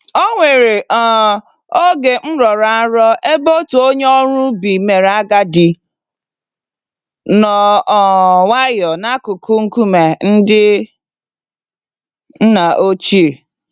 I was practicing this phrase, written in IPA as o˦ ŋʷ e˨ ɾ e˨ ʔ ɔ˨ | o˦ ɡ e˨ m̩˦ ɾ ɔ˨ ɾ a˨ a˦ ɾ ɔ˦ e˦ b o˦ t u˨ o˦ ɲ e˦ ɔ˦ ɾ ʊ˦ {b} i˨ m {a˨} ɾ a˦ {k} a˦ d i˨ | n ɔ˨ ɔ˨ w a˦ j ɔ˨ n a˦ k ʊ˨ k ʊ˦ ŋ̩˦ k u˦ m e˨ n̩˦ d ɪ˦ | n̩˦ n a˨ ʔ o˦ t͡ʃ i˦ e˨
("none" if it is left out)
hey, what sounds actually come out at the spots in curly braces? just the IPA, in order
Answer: b, e˨, ɡ

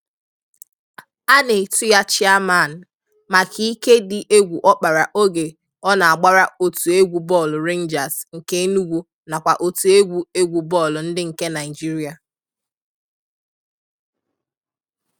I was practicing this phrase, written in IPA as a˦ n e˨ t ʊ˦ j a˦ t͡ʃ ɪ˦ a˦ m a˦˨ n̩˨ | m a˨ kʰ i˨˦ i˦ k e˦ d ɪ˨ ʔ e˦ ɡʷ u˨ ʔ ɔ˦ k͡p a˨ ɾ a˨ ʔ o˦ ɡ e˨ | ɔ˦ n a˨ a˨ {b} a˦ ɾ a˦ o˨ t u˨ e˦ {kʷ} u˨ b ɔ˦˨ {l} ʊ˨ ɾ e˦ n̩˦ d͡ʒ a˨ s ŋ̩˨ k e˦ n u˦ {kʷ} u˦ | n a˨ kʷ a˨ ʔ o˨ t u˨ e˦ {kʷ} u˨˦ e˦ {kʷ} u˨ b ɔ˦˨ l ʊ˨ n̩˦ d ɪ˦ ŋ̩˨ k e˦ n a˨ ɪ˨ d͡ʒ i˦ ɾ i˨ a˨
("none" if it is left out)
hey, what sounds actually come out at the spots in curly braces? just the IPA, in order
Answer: ɡ͡b, ɡʷ, l, ɡʷ, ɡʷ, ɡʷ

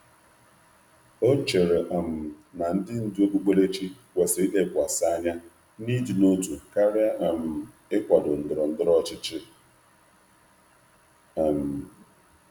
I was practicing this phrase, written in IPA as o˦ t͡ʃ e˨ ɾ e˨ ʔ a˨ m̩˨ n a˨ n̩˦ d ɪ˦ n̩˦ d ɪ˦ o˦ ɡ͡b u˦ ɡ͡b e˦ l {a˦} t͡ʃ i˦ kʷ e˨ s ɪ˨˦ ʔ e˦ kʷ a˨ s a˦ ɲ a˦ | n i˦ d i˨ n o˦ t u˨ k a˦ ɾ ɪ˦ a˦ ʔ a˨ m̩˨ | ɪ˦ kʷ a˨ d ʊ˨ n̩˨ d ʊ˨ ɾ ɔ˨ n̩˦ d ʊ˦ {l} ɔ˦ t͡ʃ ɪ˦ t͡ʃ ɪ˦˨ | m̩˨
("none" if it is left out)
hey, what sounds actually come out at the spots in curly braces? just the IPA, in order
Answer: e˦, ɾ

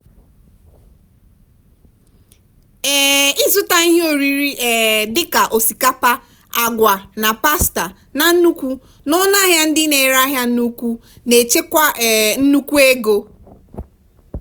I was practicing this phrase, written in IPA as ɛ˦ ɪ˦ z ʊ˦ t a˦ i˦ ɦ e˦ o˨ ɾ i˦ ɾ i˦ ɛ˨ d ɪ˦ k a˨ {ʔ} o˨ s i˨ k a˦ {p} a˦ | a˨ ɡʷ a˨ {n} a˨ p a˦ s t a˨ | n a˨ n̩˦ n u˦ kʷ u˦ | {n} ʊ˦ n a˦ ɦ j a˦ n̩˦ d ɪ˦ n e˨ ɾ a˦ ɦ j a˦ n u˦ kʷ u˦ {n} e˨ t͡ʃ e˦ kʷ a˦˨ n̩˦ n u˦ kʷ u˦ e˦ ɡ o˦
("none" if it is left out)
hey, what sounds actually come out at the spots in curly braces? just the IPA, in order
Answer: ʔ, p, n, n, n

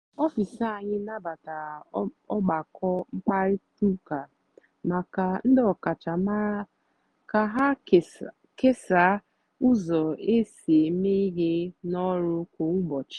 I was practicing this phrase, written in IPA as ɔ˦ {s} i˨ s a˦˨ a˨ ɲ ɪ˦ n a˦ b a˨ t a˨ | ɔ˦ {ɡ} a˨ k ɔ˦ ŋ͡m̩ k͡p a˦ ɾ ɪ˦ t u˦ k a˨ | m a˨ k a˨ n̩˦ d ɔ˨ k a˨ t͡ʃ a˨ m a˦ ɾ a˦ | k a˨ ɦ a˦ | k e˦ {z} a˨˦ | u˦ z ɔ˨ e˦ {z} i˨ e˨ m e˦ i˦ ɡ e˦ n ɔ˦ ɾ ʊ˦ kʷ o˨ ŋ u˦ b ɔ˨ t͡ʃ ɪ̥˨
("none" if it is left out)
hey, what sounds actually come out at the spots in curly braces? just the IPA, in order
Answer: f, ɡ͡b, s, s

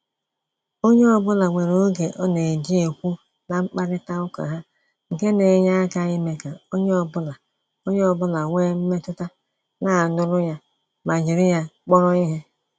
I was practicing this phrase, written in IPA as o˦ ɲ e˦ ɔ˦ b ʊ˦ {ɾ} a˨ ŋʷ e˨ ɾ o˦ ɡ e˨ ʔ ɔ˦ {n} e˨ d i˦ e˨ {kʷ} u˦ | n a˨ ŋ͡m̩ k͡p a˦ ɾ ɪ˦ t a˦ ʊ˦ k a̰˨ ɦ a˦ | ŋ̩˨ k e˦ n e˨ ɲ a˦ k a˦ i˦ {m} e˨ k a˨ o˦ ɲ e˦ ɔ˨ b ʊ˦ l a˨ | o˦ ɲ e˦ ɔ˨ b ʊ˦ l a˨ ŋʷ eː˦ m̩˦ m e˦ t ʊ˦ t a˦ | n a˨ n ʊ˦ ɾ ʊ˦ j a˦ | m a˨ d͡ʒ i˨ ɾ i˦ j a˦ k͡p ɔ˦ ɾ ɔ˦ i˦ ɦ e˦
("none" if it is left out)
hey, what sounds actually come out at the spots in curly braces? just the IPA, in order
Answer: l, n, kʷ, m

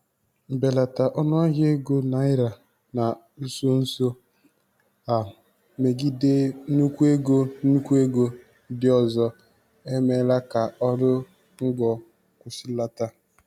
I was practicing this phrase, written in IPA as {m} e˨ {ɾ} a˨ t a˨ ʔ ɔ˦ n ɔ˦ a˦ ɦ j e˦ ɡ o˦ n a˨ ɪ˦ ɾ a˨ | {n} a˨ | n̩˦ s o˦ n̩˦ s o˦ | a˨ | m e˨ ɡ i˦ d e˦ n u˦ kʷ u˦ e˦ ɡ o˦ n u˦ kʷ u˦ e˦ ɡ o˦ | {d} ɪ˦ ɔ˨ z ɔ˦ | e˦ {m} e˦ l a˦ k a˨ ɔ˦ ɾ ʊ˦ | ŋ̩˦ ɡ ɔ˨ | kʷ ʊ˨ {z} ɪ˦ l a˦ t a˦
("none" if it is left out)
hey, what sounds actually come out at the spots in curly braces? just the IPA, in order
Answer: b, l, n, d, m, s

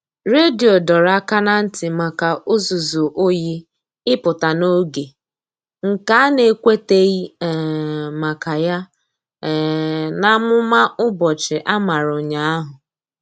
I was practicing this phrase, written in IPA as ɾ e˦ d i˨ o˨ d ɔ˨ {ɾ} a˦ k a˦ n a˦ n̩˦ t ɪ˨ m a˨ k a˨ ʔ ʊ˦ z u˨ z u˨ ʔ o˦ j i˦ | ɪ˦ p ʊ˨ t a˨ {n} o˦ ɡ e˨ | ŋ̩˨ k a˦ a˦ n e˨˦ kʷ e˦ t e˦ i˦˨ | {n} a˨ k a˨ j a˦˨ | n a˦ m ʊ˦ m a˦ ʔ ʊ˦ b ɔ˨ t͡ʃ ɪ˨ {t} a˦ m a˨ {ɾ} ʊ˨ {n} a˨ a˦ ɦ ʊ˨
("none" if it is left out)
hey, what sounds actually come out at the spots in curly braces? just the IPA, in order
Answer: ɾ, n, m, ʔ, ɾ, ɲ

